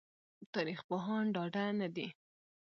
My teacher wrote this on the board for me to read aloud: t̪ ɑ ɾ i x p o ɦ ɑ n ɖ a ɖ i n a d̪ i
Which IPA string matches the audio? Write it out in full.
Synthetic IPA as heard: t̪ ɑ ɾ i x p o ɦ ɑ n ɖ ɑ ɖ a n a d̪ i